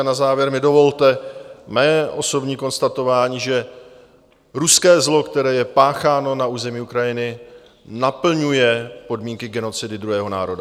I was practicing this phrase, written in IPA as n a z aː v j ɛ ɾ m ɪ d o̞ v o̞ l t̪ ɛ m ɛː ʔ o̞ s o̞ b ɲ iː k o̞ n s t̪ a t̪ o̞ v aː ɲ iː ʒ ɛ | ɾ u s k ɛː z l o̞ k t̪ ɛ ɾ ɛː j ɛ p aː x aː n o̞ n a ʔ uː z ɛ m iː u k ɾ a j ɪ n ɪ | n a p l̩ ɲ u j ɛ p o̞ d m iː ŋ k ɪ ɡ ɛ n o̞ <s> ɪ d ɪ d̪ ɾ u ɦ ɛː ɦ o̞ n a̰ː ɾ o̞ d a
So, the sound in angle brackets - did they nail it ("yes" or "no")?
no